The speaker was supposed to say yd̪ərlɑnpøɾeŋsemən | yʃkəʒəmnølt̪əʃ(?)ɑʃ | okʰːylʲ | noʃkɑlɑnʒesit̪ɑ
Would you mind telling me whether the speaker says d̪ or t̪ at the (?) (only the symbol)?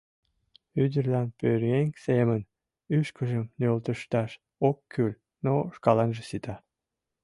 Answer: t̪